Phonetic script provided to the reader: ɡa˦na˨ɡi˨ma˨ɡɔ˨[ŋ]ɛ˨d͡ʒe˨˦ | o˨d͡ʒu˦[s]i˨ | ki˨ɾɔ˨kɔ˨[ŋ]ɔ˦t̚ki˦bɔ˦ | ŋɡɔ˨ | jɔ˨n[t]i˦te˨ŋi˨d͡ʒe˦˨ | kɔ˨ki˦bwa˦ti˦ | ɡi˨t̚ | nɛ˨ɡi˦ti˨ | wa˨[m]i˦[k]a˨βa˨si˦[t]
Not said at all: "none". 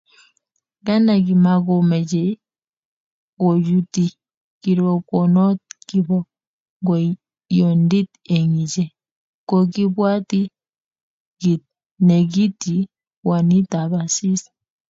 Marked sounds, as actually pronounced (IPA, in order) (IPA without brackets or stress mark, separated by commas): m, t, n, d, n, t, s